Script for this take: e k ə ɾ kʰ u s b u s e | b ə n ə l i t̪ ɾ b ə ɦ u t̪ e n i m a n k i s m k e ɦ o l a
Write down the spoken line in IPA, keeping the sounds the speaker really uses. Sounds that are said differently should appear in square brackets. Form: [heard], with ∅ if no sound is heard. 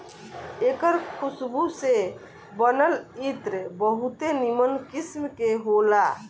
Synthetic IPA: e k ə ɾ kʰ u s b u s e | b ə n ə l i t̪ ɾ b ə ɦ u t̪ e n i m [ə] n k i s m k e ɦ o l a